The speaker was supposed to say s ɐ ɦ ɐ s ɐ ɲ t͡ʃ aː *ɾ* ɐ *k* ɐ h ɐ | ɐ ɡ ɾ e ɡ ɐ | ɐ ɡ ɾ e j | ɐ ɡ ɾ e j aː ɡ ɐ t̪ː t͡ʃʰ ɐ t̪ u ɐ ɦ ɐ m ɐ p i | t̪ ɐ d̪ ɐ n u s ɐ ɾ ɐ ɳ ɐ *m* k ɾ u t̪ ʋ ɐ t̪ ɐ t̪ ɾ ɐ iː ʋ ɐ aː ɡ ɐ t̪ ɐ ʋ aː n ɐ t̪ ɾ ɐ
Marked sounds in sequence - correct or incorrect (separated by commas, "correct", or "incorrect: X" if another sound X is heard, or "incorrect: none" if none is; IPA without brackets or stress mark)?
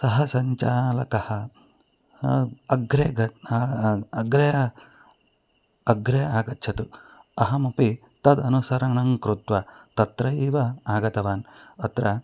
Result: incorrect: l, correct, incorrect: ŋ